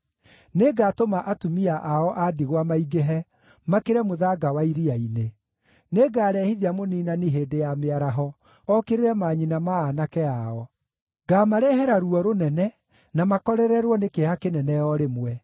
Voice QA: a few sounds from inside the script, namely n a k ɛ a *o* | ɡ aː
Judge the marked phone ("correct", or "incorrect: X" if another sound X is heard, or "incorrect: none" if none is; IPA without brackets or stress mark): incorrect: ɔ